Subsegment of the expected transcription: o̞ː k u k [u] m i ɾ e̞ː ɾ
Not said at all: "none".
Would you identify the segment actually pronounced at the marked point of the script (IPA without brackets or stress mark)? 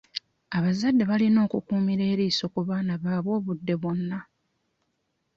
uː